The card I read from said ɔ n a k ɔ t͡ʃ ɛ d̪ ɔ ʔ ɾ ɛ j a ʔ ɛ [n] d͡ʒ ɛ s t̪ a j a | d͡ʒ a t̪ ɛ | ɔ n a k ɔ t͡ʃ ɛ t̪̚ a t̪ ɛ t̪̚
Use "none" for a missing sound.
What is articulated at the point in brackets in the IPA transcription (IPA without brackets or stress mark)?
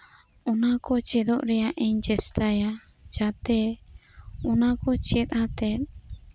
ɲ